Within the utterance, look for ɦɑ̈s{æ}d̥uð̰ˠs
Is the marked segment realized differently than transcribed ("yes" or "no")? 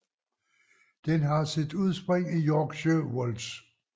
yes